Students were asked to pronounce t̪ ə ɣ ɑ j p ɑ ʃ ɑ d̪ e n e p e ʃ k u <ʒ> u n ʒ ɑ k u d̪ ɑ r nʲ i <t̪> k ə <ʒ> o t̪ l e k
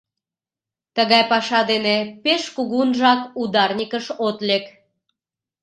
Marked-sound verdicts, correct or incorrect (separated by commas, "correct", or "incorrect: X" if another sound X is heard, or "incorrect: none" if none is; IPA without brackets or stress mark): incorrect: ɣ, incorrect: none, incorrect: ʃ